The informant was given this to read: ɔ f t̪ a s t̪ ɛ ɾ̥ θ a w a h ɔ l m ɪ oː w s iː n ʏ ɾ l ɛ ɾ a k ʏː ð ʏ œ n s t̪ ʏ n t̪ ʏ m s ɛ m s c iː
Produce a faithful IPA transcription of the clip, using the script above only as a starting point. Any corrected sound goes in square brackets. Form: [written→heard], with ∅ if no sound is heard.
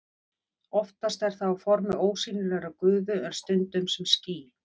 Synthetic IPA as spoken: ɔ f t̪ a s t̪ ɛ ɾ̥ θ a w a [h→f] ɔ [l→ɾ] m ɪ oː w s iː n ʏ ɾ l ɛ ɾ a k ʏː ð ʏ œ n s t̪ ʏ n t̪ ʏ m s ɛ m s c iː